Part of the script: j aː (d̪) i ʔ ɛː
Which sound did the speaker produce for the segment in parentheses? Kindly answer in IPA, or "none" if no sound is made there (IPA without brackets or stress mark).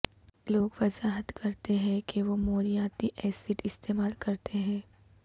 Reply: t̪